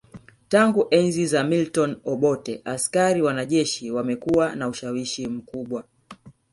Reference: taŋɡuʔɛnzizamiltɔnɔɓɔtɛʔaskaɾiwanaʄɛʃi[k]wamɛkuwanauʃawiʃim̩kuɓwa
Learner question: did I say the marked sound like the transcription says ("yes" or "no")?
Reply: no